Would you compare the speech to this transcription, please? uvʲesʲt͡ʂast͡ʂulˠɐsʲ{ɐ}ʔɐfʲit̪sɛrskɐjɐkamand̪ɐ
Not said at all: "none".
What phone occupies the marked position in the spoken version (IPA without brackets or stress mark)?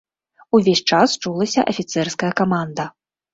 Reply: ɐ